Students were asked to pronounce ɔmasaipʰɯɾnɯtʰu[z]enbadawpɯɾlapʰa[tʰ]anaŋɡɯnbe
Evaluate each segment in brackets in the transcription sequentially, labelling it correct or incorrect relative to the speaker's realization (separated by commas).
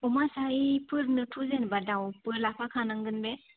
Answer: correct, incorrect